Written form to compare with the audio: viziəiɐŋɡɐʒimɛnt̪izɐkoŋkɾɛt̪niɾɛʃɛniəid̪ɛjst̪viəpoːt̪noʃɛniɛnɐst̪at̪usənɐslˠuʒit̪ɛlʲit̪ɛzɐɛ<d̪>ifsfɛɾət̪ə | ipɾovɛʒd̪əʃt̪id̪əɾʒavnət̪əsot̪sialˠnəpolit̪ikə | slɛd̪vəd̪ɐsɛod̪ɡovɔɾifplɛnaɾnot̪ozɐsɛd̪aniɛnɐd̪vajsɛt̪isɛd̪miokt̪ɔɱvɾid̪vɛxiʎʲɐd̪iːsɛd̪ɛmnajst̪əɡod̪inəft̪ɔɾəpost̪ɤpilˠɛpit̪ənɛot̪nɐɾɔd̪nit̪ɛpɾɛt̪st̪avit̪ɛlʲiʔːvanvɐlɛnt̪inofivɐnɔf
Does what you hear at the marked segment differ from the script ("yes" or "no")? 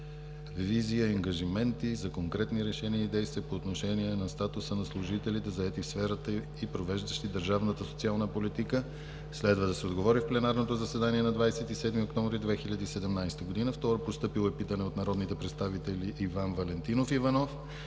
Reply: yes